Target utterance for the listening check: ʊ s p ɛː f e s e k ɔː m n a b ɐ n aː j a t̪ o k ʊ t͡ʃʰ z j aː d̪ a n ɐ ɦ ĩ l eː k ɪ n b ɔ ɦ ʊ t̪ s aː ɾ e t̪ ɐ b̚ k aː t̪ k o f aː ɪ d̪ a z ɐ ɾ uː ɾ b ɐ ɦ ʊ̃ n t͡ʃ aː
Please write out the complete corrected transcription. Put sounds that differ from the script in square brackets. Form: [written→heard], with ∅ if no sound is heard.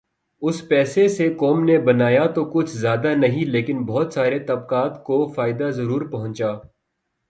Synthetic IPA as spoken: ʊ s p ɛː [f→s] e s e k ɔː m n [a→e] b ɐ n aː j a t̪ o k ʊ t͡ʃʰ z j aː d̪ a n ɐ ɦ ĩ l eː k ɪ n b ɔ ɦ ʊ t̪ s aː ɾ e t̪ ɐ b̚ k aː t̪ k o f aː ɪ d̪ a z ɐ ɾ uː ɾ [b→p] ɐ ɦ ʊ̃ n t͡ʃ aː